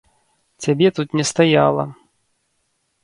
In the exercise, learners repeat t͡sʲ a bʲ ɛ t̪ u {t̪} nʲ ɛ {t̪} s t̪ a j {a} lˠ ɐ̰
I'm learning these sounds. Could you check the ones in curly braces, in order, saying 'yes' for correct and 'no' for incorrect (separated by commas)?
yes, no, yes